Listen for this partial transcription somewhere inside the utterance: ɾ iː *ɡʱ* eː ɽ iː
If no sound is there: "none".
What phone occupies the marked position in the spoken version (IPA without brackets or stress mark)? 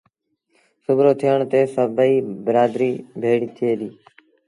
bʱ